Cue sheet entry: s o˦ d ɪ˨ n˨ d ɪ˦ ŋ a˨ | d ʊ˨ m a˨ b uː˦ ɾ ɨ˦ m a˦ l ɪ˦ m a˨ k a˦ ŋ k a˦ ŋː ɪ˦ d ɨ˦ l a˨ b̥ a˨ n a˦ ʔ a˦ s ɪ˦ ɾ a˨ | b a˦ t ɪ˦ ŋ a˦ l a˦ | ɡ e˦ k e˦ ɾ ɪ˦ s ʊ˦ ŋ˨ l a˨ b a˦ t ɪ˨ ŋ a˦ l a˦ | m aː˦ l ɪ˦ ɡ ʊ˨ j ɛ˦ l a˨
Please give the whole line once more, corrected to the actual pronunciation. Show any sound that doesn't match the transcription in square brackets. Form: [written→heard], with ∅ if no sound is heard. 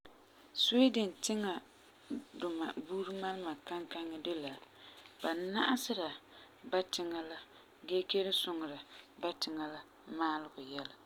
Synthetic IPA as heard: s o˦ d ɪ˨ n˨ [d→t] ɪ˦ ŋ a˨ | d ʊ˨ m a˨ b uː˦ ɾ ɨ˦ m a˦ l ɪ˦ m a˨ k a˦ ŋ k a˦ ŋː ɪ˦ d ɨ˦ l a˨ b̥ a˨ n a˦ ʔ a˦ s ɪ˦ ɾ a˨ | b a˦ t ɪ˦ ŋ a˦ l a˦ | ɡ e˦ k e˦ ɾ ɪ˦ s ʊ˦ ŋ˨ [l→ɾ] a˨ b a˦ t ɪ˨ ŋ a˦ l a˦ | m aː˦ l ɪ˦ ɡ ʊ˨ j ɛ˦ l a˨